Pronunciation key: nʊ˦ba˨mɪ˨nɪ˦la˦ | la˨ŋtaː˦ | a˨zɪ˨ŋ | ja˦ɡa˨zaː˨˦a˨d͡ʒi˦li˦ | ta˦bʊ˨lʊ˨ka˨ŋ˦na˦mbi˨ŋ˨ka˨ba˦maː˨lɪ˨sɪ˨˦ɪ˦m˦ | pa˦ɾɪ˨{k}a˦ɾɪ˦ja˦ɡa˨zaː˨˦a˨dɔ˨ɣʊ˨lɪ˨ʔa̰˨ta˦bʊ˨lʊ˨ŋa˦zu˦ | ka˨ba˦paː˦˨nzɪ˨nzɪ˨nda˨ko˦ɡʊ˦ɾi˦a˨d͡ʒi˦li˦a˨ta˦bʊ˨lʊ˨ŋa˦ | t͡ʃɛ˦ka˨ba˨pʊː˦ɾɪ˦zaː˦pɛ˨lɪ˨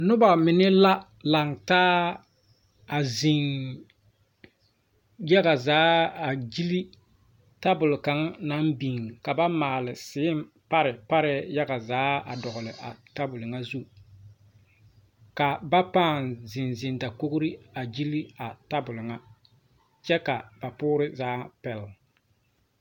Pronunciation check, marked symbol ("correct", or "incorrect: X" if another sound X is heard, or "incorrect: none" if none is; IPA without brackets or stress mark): incorrect: p